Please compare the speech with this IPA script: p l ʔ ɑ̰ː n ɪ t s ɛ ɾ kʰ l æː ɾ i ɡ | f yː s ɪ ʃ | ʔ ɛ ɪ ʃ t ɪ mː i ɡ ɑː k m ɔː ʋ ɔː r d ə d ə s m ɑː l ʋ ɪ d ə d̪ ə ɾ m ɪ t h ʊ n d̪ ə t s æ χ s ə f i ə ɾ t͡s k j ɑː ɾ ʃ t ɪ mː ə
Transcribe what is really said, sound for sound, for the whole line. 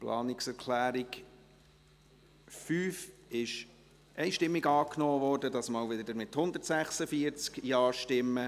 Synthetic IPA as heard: p l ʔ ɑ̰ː n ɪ k s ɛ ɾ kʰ l æː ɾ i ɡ | f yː f ɪ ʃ | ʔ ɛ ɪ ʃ t ɪ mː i ɡ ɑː k n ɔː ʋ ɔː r d ə d ɑ s m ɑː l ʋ ɪ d ə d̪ ə ɾ m ɪ t h ʊ n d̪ ə t s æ χ s ə f i ə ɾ t͡s k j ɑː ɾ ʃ t ɪ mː ə